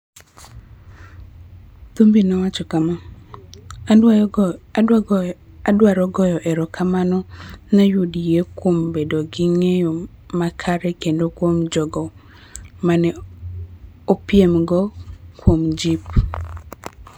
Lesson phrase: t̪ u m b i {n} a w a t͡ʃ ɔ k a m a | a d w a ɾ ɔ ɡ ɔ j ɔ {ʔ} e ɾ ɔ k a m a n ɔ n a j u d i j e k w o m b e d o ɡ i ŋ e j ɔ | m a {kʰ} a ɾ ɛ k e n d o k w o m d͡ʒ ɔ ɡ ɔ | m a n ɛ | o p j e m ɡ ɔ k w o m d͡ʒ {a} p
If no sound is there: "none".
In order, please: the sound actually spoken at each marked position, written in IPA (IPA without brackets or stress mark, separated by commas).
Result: n, ʔ, kʰ, i